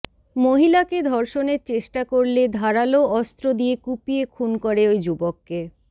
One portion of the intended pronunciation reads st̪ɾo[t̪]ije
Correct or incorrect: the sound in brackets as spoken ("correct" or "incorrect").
incorrect